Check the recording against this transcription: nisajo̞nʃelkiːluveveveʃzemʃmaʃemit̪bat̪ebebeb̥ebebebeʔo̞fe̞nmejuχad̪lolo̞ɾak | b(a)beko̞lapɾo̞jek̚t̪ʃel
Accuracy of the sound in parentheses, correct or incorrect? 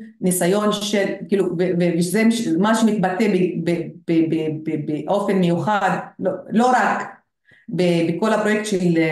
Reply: incorrect